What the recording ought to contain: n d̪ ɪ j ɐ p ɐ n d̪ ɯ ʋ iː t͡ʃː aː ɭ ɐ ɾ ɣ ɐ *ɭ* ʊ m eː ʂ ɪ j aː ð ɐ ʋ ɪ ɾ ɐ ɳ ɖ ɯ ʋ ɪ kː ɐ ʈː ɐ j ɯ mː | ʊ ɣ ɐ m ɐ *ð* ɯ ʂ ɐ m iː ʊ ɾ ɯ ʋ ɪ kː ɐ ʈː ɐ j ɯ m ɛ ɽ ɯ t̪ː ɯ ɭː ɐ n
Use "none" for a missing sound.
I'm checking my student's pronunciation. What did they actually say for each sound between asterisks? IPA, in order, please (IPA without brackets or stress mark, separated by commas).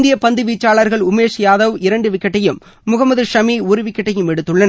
ɭ, ð